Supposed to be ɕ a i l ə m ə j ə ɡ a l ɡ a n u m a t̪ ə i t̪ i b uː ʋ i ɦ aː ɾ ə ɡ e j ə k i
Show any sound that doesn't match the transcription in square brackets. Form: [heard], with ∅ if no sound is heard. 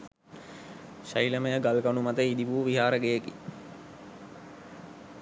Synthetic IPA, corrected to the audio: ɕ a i l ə m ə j ə ɡ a l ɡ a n u m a t̪ ə i [d̪] i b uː ʋ i ɦ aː ɾ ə ɡ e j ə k i